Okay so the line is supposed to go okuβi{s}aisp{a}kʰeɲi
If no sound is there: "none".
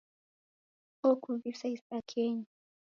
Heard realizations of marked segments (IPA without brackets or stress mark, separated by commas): s, a